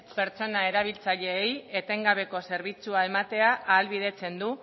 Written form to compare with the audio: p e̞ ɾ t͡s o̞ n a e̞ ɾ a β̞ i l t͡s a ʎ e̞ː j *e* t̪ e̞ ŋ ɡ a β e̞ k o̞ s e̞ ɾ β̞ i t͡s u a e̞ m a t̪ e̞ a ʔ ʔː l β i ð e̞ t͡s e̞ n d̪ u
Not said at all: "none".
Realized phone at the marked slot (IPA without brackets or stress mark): e